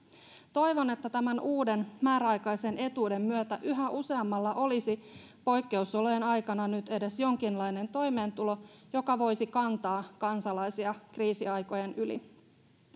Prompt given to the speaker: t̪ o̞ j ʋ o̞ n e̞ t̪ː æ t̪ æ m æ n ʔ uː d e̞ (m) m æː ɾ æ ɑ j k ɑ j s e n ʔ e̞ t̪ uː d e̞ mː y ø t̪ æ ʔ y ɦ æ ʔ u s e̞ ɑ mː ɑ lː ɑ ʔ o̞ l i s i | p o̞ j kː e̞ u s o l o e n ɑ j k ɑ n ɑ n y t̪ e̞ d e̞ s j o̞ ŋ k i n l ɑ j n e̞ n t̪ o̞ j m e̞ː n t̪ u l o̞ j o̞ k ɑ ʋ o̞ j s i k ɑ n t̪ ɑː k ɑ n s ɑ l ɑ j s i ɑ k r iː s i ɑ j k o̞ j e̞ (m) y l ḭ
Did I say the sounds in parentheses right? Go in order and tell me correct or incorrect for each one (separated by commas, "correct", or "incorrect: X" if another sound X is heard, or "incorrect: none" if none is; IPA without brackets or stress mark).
incorrect: n, incorrect: n